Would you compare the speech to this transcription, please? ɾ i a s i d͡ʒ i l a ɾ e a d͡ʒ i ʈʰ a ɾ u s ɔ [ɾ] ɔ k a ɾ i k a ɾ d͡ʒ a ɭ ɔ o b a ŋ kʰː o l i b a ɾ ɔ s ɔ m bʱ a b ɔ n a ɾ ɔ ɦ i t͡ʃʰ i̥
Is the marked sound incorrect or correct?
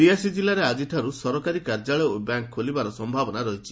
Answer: correct